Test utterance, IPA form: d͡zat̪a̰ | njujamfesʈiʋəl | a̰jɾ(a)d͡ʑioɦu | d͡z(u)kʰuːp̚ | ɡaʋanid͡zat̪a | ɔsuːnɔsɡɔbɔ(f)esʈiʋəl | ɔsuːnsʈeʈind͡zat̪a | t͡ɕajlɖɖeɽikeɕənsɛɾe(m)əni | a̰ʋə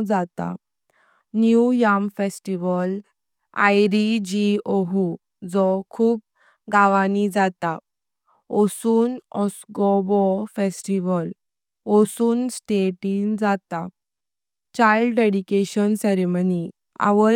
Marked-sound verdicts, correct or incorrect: incorrect, incorrect, correct, correct

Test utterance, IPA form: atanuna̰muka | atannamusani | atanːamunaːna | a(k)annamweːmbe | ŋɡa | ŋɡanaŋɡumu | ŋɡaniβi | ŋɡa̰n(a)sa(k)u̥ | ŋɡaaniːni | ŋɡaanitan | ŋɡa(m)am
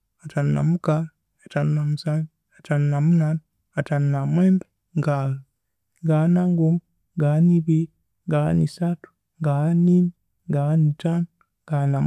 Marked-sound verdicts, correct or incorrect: incorrect, incorrect, incorrect, incorrect

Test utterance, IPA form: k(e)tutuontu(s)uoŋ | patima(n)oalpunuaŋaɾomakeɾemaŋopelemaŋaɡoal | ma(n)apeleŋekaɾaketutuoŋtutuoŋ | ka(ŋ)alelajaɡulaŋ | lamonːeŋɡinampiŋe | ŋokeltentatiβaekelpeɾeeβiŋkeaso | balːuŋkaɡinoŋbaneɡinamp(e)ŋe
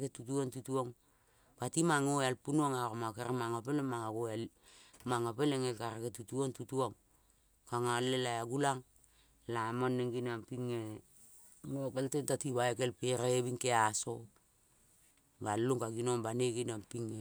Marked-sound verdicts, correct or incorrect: correct, incorrect, incorrect, incorrect, correct, incorrect

